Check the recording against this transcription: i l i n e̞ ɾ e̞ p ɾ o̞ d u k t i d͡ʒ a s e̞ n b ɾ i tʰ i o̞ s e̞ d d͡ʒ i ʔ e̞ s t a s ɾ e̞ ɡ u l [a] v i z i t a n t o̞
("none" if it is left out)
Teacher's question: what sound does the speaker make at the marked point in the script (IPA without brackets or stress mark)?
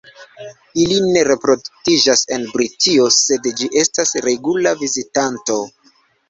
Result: a